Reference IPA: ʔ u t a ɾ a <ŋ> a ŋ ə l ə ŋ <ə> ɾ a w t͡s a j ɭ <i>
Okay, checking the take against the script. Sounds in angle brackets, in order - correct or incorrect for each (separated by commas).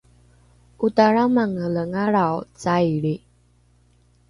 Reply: incorrect, incorrect, correct